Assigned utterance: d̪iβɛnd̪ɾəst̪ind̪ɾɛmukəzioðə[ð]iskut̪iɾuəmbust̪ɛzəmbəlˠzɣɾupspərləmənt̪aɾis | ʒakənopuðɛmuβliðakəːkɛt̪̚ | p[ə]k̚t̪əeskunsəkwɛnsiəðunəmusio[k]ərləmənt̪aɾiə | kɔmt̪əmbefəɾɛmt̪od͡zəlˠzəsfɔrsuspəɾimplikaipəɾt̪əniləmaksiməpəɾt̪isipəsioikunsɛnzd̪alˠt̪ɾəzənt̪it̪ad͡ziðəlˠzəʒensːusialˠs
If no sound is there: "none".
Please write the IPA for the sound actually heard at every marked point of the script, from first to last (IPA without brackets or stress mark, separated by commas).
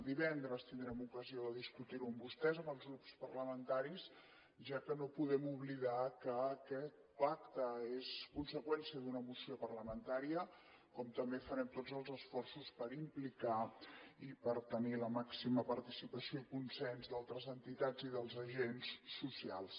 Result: ð, a, p